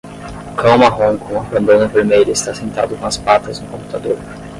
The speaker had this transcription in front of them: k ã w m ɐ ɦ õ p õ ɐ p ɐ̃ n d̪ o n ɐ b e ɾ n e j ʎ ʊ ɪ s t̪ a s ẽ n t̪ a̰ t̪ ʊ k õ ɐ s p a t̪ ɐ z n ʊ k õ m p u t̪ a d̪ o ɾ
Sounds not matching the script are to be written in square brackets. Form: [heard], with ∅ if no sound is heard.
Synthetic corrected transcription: k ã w m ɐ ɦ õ [k] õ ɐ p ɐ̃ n d̪ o n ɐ [v] e ɾ [m] e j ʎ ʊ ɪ s t̪ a s ẽ n t̪ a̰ [d̪] ʊ k õ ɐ s p a t̪ ɐ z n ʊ k õ m p u t̪ a d̪ o ɾ